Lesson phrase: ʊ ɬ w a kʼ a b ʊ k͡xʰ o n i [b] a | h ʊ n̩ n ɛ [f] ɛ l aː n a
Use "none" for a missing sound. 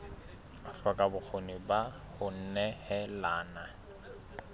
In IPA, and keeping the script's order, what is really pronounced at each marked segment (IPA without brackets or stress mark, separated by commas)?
b, h